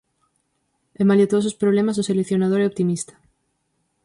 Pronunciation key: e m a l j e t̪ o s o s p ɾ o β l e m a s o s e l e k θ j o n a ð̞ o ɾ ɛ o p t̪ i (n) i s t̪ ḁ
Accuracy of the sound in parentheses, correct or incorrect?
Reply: incorrect